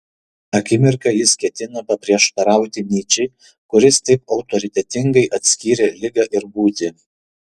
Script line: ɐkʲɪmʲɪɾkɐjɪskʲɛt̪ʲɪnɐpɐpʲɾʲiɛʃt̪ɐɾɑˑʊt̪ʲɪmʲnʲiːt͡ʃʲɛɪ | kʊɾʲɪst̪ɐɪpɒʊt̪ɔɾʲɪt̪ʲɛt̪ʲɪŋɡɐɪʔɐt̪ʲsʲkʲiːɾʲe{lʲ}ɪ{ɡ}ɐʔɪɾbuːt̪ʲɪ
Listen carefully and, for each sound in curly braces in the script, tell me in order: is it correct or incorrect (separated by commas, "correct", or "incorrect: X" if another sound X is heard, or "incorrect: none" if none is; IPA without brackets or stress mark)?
correct, correct